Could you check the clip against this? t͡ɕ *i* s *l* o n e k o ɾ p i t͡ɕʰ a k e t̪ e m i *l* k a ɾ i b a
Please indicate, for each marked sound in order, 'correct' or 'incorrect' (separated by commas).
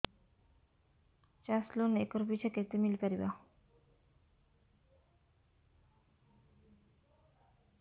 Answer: incorrect, correct, correct